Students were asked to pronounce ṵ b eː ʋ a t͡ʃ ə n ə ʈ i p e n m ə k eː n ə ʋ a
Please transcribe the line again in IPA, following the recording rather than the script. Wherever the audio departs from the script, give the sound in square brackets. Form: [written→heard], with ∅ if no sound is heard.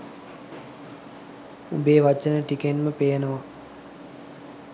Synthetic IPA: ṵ b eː ʋ a t͡ʃ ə n ə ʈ i [p→k] e n m ə [k→p] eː n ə ʋ a